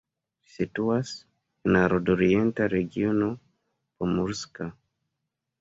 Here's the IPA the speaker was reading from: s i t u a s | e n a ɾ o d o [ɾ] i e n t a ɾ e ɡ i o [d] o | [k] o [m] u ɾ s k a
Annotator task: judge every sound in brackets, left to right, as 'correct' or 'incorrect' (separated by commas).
correct, incorrect, incorrect, correct